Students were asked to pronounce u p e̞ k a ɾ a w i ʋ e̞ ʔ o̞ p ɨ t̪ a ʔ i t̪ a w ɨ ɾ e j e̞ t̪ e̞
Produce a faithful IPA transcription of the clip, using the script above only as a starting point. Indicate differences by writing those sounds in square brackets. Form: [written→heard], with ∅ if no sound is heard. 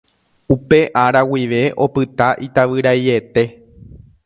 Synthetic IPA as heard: u p e̞ [k→ʔ] a ɾ a w i ʋ e̞ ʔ o̞ p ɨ t̪ a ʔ i t̪ a [w→ʋ] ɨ ɾ [e→a] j e̞ t̪ e̞